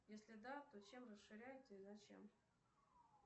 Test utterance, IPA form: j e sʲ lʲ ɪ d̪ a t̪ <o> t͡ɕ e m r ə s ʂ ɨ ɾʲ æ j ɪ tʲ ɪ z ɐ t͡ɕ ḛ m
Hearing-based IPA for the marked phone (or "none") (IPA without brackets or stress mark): o